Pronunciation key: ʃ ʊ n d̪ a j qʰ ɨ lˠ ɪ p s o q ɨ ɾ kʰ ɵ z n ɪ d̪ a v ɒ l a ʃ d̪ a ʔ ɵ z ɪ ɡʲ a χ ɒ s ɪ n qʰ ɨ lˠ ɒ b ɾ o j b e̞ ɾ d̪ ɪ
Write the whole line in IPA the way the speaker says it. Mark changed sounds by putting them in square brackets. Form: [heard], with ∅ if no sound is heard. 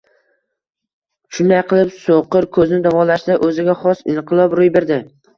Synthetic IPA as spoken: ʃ ʊ n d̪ a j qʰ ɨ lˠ ɪ p s o q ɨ ɾ kʰ ɵ z n ɪ d̪ a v ɒ l a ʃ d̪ a ʔ ɵ z ɪ ɡʲ a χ ɒ s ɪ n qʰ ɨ lˠ ɒ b ɾ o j b e̞ ɾ d̪ ɪ